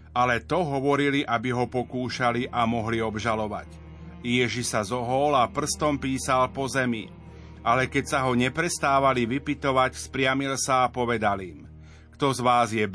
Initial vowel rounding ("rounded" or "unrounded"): unrounded